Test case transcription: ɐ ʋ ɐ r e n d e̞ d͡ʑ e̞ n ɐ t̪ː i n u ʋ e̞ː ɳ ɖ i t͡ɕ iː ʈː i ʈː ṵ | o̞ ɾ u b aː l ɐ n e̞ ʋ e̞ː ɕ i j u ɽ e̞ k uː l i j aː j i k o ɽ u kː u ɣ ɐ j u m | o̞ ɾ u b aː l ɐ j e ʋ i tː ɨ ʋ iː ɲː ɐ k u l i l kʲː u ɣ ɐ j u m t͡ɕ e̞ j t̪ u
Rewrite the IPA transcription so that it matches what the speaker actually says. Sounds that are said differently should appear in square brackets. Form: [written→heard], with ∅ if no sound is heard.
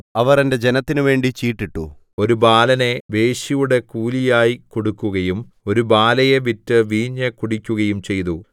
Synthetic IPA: ɐ ʋ ɐ r e n d e̞ d͡ʑ e̞ n ɐ t̪ː i n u ʋ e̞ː ɳ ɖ i t͡ɕ iː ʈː i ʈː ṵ | o̞ ɾ u b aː l ɐ n e̞ ʋ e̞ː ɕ i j u ɽ e̞ k uː l i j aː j i k o ɽ u kː u ɣ ɐ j u m | o̞ ɾ u b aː l ɐ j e ʋ i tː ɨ ʋ iː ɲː ɐ k u [l→ɽ] i [l→∅] kʲː u ɣ ɐ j u m t͡ɕ e̞ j t̪ u